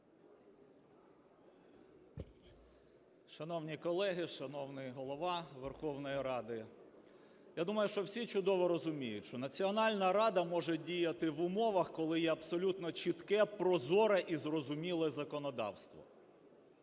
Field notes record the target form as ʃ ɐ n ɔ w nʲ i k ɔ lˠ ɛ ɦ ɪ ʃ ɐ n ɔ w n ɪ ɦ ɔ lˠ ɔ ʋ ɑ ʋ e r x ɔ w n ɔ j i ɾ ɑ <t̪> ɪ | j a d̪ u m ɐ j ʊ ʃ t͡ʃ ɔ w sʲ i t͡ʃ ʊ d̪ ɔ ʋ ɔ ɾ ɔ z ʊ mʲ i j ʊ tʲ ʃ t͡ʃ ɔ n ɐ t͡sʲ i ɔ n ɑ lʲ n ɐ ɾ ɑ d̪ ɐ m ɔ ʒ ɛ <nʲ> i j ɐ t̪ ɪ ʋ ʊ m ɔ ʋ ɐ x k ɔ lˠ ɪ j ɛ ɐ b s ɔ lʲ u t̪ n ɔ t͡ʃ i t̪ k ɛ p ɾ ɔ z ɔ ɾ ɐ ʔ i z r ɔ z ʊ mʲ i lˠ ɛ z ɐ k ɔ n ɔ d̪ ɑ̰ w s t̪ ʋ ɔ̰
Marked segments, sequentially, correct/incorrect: incorrect, incorrect

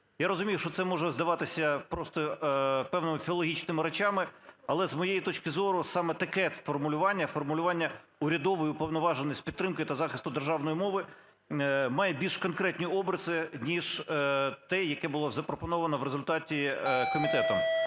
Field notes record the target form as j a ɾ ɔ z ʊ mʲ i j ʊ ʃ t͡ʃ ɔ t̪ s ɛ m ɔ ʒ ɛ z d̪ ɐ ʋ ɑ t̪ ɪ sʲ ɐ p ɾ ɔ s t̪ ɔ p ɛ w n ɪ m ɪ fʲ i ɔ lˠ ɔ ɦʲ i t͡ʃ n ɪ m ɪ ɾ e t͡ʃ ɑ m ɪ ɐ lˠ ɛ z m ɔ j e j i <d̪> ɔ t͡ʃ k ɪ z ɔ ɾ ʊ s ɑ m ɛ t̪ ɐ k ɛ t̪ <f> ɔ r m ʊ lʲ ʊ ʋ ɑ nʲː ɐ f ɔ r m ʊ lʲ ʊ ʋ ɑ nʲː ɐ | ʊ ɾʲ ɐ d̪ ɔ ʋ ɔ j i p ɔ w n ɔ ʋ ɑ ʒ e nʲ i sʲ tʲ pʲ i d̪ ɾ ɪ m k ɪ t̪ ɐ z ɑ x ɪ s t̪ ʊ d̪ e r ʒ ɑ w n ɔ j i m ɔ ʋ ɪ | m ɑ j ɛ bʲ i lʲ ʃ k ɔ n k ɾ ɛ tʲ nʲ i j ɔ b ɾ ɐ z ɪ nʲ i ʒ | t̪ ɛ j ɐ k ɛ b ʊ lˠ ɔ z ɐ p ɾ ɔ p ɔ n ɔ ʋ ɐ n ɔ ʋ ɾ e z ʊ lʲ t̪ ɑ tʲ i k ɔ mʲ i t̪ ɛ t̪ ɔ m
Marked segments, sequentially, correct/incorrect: incorrect, correct

